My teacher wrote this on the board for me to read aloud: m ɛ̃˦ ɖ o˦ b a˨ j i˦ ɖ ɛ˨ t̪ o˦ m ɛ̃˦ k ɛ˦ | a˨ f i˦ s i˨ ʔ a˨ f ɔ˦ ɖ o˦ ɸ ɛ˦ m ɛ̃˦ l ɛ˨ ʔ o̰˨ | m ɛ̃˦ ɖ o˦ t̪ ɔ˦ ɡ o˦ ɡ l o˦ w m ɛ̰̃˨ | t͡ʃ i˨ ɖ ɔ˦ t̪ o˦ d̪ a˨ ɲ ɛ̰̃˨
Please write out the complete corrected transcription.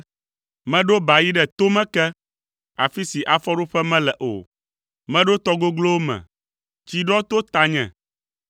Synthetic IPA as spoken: m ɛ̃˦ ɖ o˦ b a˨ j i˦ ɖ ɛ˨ t̪ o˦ m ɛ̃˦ k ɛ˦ | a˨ f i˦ s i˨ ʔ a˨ f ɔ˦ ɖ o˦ ɸ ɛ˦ m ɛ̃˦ l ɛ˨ ʔ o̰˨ | m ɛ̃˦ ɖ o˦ t̪ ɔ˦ ɡ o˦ ɡ l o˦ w m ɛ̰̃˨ | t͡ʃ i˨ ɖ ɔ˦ t̪ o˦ t̪ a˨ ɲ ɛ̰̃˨